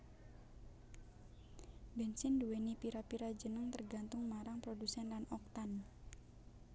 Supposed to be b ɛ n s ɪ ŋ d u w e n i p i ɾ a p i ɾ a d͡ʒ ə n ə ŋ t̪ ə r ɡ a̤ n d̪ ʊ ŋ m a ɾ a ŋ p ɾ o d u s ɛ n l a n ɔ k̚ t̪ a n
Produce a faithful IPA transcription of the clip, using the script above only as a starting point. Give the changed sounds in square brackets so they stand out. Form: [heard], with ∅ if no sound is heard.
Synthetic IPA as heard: b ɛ n s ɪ [n] d u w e n i p i ɾ a p i ɾ a d͡ʒ ə n ə ŋ t̪ ə r ɡ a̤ n [t̪] ʊ ŋ m a ɾ a ŋ p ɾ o d u s ɛ n l a n ɔ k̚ t̪ a n